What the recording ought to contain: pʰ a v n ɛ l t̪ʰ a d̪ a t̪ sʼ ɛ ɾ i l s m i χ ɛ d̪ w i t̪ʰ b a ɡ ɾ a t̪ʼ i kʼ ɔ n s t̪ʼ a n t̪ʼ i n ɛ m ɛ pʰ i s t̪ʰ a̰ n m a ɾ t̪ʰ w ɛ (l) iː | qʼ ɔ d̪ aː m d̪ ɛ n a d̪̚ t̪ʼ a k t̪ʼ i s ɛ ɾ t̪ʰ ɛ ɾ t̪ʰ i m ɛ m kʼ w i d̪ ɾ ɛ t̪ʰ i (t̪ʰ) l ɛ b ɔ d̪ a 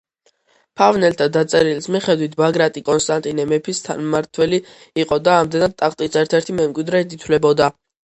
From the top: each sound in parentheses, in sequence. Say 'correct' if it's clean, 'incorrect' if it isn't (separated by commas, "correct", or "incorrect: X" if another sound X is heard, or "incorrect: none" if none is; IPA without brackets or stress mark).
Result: correct, correct